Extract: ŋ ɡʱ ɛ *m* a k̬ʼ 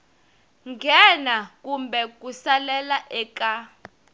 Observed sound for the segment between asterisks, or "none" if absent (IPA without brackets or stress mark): n